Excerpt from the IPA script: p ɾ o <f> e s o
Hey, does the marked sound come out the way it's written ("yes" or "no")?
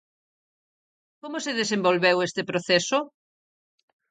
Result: no